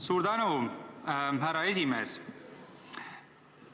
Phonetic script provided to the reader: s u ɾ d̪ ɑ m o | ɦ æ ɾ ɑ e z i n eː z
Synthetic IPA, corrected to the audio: s u ɾ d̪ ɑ n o | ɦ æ ɾ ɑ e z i m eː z